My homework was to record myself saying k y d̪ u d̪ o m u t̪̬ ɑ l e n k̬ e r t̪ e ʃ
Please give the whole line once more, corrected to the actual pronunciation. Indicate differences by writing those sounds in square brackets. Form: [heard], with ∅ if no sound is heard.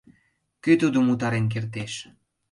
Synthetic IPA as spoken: k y [t̪] u d̪ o m u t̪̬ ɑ [ɾ] e n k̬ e r t̪ e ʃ